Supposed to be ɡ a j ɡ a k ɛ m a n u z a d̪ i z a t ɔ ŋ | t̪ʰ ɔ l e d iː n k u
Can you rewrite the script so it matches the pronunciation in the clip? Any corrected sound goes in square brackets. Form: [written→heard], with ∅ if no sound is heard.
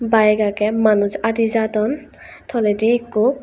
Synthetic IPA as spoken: [ɡ→b] a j ɡ a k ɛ m a n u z a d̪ i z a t ɔ [ŋ→n] | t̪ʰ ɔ l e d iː [n→∅] k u